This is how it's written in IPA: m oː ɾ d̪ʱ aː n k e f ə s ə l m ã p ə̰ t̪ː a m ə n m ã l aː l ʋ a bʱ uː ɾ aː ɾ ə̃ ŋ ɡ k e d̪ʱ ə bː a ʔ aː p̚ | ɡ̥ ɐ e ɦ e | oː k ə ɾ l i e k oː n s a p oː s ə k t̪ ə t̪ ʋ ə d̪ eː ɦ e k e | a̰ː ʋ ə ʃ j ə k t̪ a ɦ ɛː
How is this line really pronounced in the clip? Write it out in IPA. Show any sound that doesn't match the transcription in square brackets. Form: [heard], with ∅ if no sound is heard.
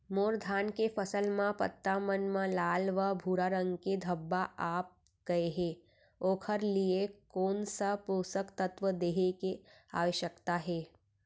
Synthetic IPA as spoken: m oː ɾ d̪ʱ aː n k e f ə s ə l m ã p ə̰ t̪ː a m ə n m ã l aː l ʋ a bʱ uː ɾ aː ɾ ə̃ ŋ ɡ k e d̪ʱ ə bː a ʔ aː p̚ | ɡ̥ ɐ e ɦ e | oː [kʰ] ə ɾ l i e k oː n s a p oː s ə k t̪ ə t̪ ʋ ə d̪ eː ɦ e k e | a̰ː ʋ ə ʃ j ə k t̪ a ɦ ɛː